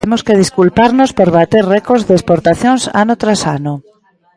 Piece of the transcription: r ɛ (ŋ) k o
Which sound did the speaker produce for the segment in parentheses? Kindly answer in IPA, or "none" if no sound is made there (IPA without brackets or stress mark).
none